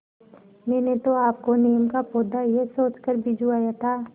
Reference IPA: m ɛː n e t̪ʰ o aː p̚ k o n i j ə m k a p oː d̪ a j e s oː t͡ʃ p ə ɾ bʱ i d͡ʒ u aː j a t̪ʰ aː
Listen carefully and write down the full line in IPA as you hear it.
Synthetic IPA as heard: m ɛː n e t̪ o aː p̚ k o n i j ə m k a p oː d̪ a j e s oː t͡ʃ k ə ɾ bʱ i d͡ʒ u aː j a t̪ʰ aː